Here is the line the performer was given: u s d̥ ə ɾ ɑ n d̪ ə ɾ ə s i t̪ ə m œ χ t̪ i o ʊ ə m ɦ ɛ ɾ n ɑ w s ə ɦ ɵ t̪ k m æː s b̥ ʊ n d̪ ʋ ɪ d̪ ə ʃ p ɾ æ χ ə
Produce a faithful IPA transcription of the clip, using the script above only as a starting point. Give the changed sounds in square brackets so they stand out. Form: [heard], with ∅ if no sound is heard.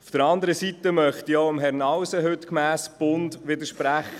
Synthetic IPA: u [f] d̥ ə ɾ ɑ n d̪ ə ɾ ə s i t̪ ə m œ χ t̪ i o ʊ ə m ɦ ɛ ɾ n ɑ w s ə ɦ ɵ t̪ k m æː s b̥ ʊ n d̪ ʋ ɪ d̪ ə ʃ p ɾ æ χ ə